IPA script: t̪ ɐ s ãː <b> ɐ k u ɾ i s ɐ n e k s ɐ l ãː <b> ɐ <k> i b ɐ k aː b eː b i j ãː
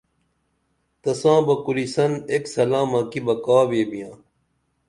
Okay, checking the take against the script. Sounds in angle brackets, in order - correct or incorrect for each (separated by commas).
correct, incorrect, correct